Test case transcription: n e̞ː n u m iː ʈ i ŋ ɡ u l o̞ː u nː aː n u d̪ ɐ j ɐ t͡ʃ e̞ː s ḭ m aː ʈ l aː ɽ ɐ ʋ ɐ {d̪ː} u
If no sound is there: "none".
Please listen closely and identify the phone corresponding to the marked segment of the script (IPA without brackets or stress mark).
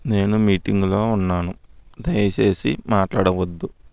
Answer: d̪ː